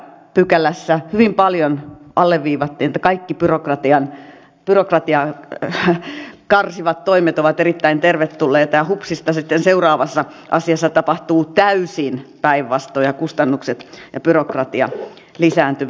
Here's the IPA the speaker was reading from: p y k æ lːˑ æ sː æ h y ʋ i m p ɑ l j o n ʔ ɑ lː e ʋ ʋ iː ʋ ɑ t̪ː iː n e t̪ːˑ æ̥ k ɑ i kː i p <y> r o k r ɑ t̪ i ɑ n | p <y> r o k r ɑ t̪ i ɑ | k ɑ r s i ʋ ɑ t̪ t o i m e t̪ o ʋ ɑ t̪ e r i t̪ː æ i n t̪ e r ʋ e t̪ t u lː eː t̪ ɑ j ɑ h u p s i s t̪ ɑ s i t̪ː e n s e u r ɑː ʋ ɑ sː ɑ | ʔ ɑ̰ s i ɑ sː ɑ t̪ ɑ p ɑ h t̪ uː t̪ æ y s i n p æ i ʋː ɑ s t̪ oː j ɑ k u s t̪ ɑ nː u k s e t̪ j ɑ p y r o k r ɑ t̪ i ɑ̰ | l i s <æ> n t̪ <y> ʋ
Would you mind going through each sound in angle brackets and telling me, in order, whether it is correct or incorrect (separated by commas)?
correct, correct, incorrect, correct